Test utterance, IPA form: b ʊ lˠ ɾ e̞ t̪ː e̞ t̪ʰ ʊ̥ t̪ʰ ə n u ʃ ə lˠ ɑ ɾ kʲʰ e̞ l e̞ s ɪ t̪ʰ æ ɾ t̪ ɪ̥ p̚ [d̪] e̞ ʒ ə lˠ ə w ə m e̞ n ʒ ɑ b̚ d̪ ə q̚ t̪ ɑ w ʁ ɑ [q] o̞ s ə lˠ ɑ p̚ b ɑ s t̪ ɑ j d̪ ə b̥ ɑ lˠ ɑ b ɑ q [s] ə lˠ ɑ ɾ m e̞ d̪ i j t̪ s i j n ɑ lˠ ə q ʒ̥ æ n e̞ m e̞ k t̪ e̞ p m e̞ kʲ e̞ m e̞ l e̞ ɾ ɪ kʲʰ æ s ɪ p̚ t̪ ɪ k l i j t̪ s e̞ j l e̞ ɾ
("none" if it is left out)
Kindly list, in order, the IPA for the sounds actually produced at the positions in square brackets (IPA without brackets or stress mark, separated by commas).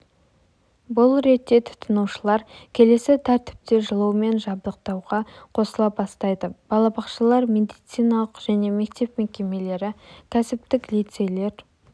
t̪, qʰ, ʃ